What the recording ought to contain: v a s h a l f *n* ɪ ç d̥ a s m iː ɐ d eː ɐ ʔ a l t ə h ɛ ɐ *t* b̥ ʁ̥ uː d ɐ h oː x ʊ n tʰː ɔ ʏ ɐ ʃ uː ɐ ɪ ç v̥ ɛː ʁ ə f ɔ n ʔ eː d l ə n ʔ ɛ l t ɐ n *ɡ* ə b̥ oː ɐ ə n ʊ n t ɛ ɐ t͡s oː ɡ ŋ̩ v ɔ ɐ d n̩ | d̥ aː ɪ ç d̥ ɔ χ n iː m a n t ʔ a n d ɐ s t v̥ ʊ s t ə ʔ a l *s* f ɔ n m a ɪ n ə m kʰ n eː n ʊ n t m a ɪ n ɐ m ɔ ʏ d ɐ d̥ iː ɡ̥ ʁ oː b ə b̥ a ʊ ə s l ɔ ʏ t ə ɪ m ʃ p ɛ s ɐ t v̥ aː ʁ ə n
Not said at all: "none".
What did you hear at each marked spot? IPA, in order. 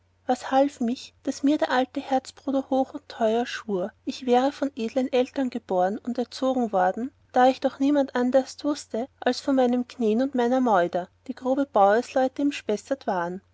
m, t͡s, ɡ, s

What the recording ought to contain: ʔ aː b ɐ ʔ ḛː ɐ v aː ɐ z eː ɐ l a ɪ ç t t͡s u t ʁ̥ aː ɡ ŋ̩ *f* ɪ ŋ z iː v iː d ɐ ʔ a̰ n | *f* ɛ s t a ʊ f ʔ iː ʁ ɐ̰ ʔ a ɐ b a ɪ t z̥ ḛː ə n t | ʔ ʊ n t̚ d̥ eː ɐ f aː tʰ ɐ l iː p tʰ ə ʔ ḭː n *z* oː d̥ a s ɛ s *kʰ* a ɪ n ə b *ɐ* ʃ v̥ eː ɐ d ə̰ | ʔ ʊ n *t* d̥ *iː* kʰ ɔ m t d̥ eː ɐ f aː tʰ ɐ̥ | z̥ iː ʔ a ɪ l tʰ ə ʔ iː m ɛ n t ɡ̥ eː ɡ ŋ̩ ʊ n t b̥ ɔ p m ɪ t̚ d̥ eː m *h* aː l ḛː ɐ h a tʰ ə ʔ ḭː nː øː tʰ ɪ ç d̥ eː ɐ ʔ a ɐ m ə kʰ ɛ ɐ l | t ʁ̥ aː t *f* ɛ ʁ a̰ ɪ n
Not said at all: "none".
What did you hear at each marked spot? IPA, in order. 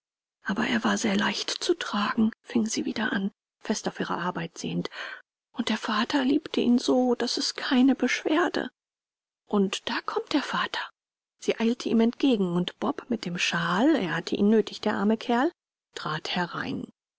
f, f, z, kʰ, ə, t, aː, ʃ, h

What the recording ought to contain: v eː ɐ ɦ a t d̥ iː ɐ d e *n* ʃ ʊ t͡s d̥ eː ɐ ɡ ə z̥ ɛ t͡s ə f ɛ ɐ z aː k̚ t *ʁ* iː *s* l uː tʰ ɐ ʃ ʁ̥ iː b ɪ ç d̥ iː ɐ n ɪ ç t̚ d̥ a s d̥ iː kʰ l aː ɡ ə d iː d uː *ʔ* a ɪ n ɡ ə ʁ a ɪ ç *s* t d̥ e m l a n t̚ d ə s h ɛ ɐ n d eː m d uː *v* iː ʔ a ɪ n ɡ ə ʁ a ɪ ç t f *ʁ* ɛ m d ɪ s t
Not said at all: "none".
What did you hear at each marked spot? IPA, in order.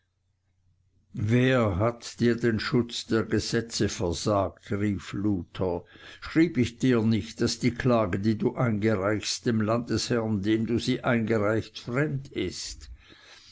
n, ʁ, f, ʔ, s, z, ʁ

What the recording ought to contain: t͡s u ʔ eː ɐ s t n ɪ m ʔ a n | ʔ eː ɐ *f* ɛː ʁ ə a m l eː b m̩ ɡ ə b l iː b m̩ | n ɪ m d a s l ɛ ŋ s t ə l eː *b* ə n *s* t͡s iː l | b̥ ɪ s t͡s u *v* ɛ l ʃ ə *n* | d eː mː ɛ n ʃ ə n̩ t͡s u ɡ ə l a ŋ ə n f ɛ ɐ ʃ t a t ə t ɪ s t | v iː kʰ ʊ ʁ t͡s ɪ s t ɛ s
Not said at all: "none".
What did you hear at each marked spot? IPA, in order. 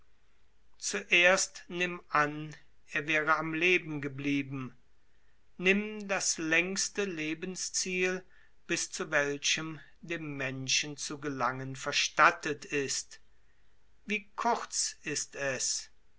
v, b, s, v, m

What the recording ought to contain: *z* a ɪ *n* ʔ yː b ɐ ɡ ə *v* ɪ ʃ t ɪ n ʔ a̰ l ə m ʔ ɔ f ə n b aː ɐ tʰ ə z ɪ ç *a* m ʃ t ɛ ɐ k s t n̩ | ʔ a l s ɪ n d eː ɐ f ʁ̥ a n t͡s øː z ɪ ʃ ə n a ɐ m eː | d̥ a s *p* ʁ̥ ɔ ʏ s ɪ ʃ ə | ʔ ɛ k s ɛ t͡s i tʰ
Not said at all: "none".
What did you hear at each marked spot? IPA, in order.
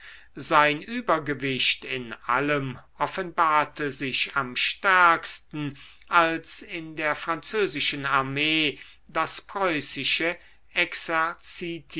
z, n, v, a, p

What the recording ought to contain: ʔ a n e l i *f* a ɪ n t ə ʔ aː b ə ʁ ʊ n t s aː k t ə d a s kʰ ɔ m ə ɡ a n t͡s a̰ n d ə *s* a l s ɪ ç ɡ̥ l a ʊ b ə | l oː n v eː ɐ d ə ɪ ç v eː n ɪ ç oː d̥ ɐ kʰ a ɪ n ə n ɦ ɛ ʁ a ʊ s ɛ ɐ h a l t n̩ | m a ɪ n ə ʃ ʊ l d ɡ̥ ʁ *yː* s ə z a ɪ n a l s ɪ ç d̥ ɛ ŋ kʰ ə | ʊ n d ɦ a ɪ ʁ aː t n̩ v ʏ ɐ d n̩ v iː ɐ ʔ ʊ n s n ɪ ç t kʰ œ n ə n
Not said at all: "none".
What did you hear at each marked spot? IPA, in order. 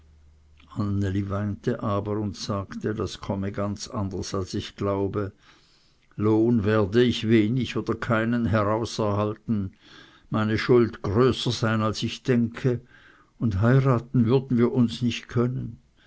v, s, øː

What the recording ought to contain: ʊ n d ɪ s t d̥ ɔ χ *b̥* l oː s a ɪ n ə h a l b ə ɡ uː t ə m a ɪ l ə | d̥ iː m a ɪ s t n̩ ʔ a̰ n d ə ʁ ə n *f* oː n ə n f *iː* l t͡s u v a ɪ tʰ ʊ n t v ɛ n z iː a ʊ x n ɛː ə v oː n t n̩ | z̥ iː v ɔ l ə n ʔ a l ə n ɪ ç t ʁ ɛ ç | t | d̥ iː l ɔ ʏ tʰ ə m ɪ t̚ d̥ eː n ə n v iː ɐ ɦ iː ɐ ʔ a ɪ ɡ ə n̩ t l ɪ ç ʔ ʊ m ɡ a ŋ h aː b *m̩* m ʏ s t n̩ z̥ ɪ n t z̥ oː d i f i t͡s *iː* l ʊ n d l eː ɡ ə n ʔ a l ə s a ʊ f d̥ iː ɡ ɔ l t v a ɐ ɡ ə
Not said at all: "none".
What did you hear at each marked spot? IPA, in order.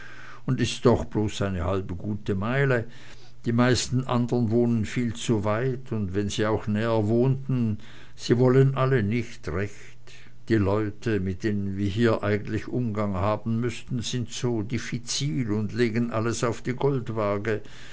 b̥, v, iː, n̩, iː

